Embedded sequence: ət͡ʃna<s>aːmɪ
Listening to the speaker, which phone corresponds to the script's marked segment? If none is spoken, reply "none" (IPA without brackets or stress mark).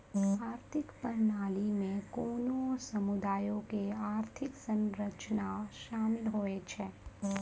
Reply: ʃ